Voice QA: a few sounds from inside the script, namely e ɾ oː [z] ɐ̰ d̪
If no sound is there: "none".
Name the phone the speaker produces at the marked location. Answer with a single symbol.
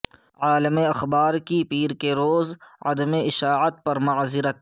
z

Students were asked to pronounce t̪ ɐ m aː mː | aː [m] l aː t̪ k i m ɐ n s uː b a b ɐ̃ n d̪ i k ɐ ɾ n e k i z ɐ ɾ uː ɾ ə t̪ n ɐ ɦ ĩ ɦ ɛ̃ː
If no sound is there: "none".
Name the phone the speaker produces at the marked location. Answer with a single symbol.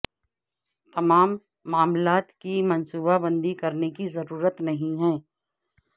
m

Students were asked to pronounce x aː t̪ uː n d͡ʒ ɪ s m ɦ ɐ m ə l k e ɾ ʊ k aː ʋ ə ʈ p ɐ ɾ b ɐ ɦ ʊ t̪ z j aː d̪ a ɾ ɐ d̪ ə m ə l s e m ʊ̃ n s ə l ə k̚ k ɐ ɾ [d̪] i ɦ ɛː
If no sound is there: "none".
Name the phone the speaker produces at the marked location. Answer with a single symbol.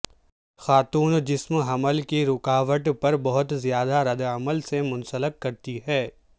t̪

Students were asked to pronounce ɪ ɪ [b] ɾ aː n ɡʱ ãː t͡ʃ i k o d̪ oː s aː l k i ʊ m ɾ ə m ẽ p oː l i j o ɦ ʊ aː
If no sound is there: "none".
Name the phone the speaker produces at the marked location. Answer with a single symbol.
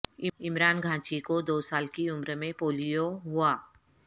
m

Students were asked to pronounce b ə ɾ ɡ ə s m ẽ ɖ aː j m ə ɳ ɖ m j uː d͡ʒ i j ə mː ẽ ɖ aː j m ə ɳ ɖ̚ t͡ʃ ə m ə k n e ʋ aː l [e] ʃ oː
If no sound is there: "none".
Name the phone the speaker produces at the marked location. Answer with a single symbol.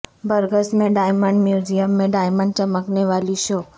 i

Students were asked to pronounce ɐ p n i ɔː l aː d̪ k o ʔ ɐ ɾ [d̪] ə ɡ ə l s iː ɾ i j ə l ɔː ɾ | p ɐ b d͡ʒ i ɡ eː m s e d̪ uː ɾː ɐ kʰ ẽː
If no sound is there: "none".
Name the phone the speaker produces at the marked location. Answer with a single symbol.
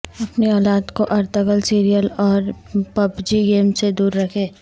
t̪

